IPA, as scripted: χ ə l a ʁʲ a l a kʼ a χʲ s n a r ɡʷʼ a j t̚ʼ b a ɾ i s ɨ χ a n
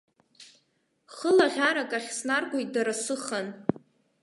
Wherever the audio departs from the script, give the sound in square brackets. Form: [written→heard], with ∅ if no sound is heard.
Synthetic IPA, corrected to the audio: χ ə l a ʁʲ a [l→ɾ] a kʼ a χʲ s n a r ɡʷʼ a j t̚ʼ [b→d] a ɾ [i→a] s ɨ χ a n